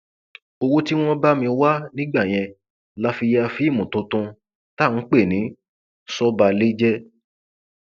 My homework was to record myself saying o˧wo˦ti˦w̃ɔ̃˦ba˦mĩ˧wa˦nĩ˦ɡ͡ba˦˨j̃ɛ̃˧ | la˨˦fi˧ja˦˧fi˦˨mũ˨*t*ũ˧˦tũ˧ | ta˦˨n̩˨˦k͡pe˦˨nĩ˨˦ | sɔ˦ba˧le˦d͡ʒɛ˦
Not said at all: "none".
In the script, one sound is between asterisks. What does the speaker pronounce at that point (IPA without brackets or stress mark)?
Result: t